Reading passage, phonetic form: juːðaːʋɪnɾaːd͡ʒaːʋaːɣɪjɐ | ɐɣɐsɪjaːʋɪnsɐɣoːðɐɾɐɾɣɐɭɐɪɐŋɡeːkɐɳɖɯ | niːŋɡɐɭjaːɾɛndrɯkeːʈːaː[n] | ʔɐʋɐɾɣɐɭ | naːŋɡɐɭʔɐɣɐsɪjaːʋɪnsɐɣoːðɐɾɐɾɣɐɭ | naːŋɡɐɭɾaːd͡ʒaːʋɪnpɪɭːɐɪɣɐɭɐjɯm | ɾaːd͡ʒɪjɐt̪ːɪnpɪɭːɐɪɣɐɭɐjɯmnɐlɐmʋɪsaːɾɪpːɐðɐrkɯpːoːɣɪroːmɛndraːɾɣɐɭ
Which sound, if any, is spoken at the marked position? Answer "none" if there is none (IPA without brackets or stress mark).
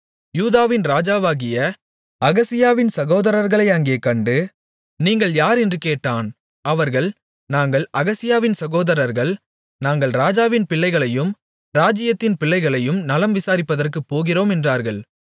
n